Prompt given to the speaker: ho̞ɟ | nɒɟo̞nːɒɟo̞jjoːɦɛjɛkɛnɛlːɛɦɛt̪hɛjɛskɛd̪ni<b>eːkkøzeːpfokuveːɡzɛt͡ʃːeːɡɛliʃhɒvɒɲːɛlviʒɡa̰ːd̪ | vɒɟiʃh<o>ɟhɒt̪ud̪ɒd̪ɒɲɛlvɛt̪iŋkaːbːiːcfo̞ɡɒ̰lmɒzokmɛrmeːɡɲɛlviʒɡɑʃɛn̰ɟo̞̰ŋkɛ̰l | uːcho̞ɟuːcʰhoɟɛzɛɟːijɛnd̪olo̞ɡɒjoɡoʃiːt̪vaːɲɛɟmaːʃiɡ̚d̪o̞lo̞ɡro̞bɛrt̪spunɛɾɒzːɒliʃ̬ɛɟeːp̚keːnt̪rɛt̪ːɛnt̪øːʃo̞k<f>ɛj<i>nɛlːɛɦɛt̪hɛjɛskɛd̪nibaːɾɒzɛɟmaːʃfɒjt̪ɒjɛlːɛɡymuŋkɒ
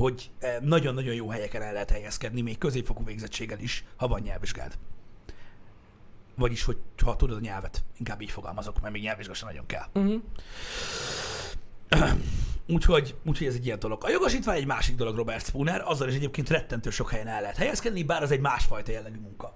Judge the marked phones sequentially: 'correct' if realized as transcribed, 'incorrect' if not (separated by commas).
incorrect, correct, incorrect, incorrect